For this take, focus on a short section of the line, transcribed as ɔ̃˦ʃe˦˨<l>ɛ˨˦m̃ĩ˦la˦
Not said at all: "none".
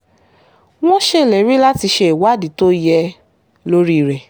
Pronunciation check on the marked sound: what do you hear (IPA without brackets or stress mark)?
l